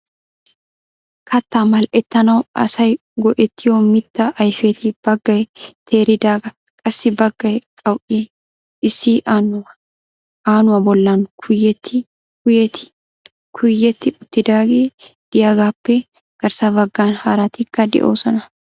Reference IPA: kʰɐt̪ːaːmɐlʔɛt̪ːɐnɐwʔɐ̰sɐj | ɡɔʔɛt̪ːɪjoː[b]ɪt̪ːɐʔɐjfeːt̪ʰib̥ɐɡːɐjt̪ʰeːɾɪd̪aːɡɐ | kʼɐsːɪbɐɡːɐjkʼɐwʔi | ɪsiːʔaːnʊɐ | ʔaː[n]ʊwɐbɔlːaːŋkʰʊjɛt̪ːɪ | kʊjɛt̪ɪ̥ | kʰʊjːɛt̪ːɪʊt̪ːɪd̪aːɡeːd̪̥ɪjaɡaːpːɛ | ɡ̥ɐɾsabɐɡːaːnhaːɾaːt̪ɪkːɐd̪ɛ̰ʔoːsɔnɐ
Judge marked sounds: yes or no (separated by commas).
no, yes